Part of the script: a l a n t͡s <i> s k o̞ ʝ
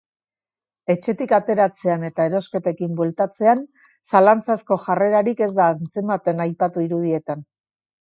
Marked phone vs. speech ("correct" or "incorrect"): incorrect